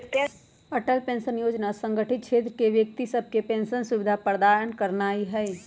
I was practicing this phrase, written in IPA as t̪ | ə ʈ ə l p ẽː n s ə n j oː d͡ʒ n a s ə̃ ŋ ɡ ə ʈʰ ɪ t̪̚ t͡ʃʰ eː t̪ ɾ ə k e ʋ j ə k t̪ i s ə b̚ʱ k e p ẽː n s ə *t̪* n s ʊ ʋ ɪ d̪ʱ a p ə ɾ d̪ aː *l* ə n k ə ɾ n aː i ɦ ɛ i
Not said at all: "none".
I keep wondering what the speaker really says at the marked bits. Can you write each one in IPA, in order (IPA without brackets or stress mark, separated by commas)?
none, ɾ